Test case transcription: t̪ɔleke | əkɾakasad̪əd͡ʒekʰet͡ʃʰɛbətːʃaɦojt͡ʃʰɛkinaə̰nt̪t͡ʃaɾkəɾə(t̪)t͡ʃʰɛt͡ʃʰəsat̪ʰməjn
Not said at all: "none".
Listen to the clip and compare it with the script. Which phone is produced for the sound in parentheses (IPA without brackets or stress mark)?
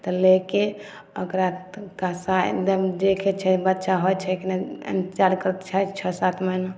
t̪